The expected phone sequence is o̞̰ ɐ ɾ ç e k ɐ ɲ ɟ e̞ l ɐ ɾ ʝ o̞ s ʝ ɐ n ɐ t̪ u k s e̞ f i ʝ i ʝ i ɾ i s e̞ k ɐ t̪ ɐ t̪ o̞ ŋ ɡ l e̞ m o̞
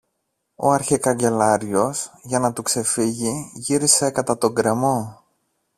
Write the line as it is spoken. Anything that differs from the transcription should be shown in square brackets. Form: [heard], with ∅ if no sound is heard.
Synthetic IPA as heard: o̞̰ ɐ ɾ ç e k ɐ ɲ ɟ e̞ l ɐ ɾ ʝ o̞ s ʝ ɐ n ɐ t̪ u k s e̞ f i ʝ i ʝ i ɾ i s e̞ k ɐ t̪ ɐ t̪ o̞ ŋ ɡ [ɾ] e̞ m o̞